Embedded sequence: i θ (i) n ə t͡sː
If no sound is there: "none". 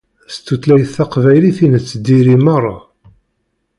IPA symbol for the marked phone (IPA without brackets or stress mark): i